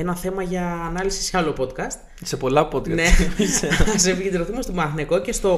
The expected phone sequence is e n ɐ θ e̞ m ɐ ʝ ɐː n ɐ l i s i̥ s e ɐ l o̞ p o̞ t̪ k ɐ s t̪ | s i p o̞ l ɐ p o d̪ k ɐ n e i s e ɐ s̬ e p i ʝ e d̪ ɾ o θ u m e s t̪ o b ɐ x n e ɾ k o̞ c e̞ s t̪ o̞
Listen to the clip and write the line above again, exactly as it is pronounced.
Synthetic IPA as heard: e n ɐ θ e̞ m ɐ ʝ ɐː n ɐ l i s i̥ s e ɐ l o̞ p o̞ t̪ k ɐ s t̪ | s e p o̞ l ɐ p o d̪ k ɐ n e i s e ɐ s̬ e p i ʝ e d̪ ɾ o θ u m e s t̪ o m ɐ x n e k o̞ c e̞ s t̪ o̞